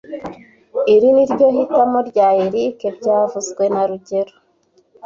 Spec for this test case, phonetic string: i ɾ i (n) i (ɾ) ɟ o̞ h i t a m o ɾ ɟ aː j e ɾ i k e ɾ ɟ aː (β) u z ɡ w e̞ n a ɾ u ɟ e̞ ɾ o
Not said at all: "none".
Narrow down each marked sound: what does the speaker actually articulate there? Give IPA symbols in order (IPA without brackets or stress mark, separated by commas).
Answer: n, ɾ, v